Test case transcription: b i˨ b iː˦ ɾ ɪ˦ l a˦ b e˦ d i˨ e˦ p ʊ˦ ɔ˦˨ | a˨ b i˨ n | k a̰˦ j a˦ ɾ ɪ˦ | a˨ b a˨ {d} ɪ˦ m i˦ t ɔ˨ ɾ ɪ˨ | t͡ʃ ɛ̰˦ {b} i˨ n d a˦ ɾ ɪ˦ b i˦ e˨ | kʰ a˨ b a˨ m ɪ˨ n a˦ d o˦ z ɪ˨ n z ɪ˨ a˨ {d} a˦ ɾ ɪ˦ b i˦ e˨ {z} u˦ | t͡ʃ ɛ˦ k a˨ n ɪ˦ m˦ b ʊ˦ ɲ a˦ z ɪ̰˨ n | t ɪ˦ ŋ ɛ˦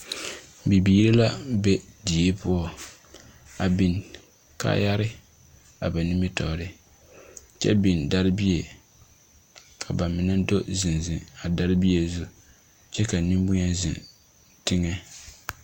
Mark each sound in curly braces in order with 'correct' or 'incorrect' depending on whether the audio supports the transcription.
incorrect, correct, correct, correct

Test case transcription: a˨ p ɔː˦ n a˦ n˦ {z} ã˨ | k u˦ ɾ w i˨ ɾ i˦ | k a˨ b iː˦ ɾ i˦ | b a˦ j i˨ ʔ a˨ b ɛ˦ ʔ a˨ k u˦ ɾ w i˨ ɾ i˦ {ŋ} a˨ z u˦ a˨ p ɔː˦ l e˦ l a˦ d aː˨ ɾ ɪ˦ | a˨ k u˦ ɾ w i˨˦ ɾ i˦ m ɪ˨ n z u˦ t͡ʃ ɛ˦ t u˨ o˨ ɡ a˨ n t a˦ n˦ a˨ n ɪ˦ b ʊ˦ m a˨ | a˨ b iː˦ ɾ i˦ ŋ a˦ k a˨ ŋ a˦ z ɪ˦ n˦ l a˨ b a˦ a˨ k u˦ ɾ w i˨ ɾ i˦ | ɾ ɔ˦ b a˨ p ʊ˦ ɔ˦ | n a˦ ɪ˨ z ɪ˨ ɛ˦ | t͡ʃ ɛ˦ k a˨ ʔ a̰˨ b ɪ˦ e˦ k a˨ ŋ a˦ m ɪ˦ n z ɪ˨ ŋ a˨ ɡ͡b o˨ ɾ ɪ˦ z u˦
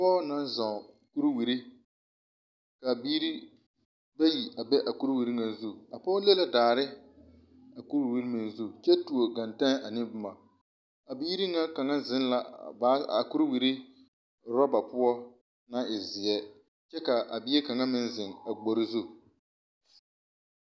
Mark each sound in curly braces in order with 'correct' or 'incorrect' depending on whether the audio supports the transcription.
correct, correct

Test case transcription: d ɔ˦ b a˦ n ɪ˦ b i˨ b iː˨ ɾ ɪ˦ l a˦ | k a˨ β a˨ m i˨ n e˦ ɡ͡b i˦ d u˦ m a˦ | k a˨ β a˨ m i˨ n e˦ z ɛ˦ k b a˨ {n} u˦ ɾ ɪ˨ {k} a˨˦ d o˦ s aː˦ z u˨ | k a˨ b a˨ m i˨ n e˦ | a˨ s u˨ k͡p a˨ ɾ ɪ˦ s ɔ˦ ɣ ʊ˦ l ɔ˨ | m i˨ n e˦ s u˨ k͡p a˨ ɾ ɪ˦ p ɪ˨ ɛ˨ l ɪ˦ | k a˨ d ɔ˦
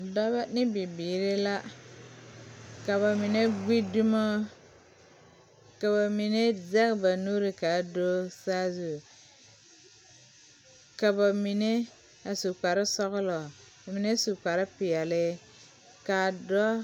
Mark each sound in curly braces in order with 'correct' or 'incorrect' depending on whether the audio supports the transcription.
correct, correct

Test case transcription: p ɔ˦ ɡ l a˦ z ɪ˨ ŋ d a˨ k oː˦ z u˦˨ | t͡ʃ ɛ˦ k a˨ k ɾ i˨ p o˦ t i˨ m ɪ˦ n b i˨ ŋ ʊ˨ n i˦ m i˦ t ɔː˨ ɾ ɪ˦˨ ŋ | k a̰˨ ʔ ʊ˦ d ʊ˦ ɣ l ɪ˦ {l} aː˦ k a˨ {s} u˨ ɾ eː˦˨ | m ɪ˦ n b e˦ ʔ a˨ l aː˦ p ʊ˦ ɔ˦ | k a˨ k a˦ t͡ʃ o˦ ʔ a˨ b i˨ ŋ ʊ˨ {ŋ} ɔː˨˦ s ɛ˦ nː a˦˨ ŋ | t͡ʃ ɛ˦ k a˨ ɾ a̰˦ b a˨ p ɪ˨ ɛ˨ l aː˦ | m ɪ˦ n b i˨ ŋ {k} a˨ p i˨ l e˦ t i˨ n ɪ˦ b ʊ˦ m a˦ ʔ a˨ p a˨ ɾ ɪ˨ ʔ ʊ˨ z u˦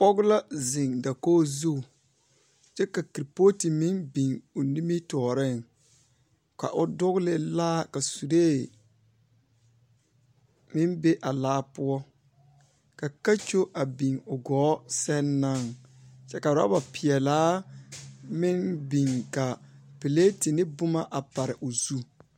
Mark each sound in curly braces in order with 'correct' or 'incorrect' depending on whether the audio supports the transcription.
correct, correct, incorrect, correct

